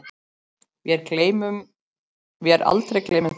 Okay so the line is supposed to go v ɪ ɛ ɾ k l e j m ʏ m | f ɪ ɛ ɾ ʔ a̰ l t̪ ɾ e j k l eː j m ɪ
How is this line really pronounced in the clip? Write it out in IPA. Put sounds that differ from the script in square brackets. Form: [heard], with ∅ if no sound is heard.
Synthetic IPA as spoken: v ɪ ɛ ɾ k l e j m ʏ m | [v] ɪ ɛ ɾ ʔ a̰ l t̪ ɾ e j k l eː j m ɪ